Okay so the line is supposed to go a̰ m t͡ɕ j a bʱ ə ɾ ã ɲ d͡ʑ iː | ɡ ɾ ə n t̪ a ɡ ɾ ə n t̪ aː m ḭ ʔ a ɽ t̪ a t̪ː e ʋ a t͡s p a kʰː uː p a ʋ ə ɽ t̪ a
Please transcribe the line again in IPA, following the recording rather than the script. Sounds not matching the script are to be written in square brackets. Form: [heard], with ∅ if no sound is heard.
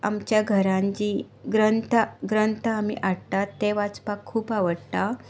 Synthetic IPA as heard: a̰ m t͡ɕ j a [ɡʱ] ə ɾ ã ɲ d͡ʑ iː | ɡ ɾ ə n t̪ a ɡ ɾ ə n t̪ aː m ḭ ʔ a ɽ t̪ a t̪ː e ʋ a t͡s p a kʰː uː p a ʋ ə ɽ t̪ a